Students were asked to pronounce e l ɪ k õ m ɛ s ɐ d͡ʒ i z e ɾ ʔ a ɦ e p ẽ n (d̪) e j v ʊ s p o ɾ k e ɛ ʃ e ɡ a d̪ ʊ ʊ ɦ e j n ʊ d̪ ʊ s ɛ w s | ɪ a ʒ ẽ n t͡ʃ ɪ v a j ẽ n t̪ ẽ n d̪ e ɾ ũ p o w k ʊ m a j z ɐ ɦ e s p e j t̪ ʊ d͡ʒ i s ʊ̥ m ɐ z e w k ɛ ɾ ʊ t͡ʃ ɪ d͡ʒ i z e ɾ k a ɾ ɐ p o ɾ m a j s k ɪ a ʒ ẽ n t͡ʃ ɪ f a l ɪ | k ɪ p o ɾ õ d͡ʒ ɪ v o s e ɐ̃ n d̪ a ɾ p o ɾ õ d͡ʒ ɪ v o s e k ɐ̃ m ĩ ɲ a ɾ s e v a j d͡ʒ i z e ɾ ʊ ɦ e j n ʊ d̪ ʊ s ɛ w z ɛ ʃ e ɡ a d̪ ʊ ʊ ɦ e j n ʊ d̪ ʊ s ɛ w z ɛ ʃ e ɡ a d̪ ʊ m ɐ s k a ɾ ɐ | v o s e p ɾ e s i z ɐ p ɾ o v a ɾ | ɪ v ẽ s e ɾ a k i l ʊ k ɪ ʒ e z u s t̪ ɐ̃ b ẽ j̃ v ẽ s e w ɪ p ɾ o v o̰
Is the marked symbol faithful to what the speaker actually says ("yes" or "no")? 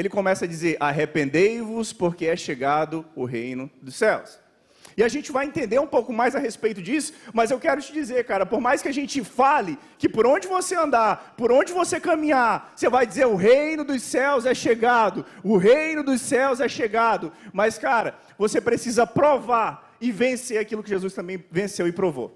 yes